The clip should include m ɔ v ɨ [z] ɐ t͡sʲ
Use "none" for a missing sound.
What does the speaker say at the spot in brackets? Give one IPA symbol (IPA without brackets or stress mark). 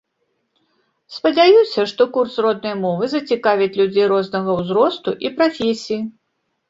z